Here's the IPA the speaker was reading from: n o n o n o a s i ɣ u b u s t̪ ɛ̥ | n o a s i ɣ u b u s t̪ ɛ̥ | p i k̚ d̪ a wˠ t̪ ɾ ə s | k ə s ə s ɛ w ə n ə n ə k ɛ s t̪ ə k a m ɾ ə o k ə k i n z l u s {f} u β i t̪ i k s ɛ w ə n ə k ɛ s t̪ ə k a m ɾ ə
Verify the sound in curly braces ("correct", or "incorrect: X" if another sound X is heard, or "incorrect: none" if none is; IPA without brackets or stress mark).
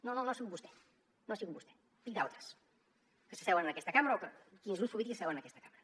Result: correct